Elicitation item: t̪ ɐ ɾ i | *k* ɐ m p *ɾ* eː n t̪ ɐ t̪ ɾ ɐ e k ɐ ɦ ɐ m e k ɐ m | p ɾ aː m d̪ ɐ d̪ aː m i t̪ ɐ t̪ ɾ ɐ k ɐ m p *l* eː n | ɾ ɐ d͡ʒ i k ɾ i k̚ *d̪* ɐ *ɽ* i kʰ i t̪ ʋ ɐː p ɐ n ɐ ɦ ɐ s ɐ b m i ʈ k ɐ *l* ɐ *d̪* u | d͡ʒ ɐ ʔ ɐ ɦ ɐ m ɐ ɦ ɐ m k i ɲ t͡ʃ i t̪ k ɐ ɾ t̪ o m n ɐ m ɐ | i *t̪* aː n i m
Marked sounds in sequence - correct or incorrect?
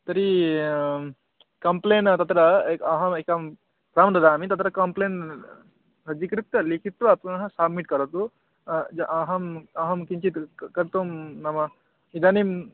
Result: correct, incorrect, correct, incorrect, incorrect, incorrect, incorrect, incorrect

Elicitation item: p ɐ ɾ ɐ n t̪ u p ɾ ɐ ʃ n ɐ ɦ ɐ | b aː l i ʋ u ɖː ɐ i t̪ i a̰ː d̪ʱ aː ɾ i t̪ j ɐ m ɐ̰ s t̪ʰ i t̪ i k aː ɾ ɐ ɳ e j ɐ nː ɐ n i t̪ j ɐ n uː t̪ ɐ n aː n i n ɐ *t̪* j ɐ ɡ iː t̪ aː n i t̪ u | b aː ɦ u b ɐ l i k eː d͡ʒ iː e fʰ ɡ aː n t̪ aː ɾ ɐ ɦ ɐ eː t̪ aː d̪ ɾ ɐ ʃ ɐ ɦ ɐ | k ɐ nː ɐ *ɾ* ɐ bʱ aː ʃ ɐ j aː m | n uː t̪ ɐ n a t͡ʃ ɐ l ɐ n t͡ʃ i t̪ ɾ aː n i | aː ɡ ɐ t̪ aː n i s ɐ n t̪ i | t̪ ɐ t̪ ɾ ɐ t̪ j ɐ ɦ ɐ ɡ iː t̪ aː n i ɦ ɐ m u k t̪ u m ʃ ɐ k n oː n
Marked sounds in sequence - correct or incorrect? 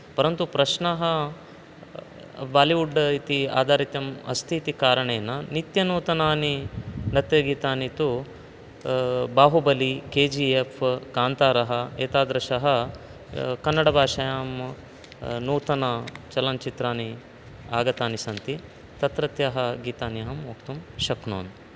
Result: correct, incorrect

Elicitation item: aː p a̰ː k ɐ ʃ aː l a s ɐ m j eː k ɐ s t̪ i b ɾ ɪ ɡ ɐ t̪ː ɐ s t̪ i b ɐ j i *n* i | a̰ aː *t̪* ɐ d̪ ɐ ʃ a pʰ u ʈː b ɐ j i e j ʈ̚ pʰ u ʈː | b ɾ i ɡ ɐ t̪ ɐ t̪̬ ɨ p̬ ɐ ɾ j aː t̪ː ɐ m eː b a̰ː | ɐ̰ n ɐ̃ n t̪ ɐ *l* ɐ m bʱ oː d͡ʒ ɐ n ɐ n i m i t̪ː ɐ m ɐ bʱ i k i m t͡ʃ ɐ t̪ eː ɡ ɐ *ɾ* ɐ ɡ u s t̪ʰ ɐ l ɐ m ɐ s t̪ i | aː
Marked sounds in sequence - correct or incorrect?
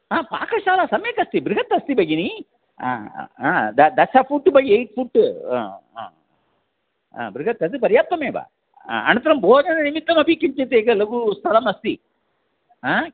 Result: correct, incorrect, incorrect, incorrect

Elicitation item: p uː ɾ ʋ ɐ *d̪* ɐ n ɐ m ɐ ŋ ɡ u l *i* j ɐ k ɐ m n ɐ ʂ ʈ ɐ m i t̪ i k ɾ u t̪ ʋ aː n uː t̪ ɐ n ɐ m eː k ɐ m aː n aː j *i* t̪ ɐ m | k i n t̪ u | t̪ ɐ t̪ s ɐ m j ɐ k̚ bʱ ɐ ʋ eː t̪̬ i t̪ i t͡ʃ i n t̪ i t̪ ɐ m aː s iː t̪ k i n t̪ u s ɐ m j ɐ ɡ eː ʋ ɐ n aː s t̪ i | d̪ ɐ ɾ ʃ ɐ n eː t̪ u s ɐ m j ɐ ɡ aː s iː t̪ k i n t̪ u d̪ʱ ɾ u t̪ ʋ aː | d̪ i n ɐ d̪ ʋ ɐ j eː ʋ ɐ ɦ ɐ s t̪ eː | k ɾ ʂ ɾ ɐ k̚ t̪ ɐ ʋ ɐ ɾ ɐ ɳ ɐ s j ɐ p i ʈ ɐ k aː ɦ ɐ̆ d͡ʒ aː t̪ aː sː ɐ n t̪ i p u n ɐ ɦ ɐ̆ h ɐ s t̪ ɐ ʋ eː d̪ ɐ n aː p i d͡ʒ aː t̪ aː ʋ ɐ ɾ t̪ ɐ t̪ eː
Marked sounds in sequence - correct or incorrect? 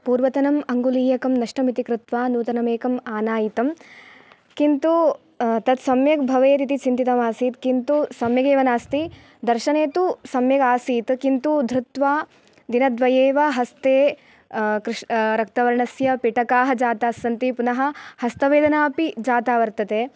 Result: incorrect, incorrect, correct

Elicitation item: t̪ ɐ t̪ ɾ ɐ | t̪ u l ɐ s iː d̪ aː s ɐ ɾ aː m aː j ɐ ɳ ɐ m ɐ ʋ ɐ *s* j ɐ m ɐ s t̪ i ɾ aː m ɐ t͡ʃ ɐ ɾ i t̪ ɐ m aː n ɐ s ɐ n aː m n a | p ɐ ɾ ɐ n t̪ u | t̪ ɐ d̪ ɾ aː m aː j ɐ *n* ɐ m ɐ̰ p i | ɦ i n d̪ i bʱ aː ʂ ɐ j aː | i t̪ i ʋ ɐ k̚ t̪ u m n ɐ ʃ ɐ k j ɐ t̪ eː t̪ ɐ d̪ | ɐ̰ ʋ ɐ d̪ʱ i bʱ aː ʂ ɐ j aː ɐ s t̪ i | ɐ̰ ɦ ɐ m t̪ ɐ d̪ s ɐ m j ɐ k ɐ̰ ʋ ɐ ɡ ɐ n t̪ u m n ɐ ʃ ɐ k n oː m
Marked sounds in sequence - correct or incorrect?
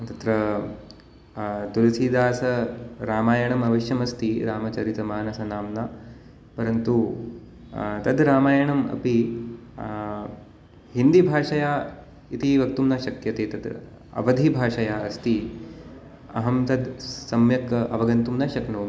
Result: incorrect, incorrect

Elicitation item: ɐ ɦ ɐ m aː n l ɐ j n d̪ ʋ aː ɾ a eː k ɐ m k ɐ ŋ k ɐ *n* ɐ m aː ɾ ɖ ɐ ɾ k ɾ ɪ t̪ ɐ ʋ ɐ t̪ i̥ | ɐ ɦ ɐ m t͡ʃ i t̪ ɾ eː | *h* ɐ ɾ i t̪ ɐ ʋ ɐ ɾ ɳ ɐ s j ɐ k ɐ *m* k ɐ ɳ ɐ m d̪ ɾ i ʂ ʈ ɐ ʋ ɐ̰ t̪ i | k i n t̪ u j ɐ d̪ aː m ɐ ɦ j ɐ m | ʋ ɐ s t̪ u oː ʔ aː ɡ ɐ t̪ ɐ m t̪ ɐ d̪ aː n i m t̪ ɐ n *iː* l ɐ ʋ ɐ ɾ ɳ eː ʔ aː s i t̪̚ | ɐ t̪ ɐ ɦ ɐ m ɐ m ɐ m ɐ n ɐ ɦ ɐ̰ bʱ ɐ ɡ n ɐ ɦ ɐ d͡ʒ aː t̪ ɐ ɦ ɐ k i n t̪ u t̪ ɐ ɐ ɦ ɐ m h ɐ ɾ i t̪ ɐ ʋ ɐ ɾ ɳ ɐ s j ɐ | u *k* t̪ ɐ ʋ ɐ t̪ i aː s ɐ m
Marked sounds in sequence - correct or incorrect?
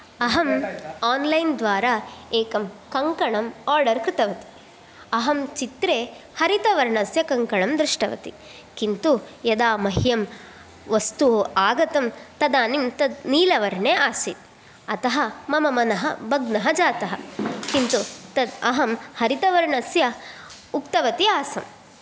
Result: incorrect, correct, incorrect, correct, correct

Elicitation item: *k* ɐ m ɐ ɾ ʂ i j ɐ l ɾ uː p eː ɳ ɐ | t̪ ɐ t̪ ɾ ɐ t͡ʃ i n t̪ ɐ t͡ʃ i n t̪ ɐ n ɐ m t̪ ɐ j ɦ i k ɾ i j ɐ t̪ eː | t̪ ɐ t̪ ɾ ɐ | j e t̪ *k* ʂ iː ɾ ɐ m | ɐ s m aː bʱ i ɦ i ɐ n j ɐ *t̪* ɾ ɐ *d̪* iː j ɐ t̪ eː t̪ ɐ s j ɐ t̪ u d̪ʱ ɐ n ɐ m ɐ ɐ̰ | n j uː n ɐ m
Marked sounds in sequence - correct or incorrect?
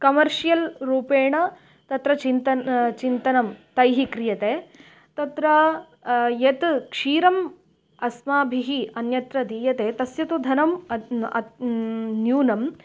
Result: correct, correct, correct, correct

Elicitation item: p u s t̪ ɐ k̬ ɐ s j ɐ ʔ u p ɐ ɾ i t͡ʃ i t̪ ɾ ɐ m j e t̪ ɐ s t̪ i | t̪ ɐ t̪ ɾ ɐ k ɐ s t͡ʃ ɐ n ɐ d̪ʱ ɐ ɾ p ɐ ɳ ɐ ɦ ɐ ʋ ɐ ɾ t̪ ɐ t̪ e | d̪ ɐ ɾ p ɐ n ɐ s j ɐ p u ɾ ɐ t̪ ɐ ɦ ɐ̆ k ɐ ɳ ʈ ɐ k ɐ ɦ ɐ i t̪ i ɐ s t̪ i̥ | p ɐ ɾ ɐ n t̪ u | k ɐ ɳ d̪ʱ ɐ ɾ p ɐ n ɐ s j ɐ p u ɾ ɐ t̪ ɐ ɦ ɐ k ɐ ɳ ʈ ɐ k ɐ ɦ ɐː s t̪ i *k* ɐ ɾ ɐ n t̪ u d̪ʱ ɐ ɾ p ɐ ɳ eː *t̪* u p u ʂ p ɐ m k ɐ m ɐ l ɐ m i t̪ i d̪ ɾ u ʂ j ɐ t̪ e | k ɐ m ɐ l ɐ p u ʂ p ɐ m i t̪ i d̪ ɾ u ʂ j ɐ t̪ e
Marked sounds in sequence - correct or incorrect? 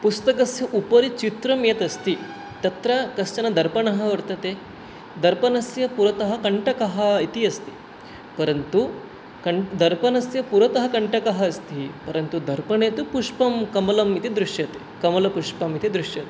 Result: incorrect, correct

